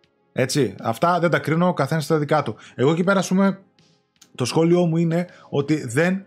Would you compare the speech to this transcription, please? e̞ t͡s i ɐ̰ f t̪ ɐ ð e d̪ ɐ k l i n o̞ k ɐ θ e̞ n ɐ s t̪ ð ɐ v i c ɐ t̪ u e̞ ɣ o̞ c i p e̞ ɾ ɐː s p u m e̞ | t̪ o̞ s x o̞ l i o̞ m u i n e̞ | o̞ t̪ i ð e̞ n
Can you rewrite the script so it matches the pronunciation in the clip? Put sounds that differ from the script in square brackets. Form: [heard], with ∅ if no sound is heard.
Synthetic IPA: e̞ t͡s i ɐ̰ f t̪ ɐ ð e d̪ ɐ k [ɾ] i n o̞ k ɐ θ e̞ n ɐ s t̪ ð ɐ [ð] i [k] ɐ t̪ u e̞ ɣ o̞ c i p e̞ ɾ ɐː s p u m e̞ | t̪ o̞ s x o̞ l i o̞ m u i n e̞ | o̞ t̪ i ð e̞ n